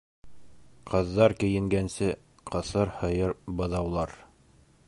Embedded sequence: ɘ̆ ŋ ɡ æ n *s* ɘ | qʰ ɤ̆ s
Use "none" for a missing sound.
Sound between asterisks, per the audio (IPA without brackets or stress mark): s